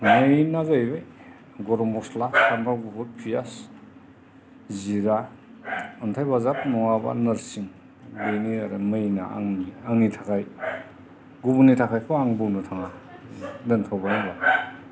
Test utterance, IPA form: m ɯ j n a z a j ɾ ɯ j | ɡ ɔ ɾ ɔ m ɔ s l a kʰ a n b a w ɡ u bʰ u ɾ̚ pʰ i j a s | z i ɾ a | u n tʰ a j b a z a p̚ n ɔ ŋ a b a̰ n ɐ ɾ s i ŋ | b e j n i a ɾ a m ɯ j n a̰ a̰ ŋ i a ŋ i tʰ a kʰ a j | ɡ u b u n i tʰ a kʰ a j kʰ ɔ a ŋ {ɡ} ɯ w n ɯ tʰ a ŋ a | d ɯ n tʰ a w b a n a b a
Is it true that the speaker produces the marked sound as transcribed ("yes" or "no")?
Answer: no